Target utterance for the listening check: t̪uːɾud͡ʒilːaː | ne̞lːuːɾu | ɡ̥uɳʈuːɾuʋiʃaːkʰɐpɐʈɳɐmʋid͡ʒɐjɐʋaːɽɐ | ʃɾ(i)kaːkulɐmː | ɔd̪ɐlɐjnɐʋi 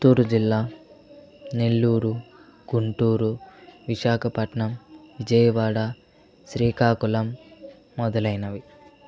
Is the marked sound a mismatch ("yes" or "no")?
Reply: yes